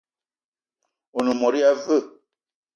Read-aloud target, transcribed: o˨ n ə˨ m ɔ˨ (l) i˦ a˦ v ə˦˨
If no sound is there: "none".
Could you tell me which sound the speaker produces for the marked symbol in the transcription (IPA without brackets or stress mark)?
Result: ɾ